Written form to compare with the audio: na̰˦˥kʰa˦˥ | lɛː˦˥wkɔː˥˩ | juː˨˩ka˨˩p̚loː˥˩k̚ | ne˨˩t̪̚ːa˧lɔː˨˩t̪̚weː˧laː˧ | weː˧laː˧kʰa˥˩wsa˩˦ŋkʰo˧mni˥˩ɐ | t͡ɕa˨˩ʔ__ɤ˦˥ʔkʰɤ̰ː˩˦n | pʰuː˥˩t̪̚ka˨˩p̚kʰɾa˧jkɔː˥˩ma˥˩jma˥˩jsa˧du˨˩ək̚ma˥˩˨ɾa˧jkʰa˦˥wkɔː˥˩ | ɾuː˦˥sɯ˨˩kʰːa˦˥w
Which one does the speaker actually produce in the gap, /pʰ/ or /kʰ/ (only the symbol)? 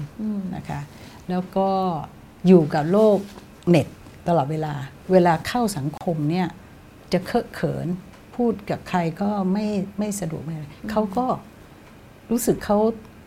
kʰ